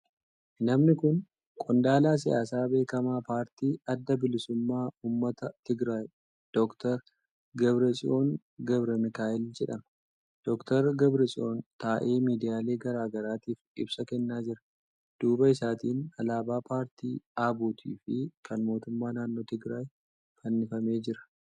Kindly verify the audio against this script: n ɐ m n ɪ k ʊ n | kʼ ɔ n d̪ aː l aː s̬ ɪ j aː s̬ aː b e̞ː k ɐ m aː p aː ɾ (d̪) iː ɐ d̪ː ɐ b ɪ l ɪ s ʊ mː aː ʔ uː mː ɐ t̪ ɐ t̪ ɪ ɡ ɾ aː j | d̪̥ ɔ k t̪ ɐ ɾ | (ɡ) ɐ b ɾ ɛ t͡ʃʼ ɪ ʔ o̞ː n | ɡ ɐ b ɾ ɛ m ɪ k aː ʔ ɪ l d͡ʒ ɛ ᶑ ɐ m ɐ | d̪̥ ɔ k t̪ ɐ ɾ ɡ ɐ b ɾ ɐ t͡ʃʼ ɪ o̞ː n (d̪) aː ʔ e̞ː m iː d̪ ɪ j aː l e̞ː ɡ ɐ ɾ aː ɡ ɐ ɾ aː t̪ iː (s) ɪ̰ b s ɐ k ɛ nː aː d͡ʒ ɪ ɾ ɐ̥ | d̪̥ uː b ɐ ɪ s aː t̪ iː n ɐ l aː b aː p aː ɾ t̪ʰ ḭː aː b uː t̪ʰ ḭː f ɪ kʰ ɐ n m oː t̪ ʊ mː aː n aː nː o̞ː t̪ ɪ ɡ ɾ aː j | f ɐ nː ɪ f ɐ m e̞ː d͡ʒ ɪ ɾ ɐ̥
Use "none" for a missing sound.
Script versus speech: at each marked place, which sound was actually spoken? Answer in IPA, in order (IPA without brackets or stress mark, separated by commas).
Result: t̪, ɡ, t̪, f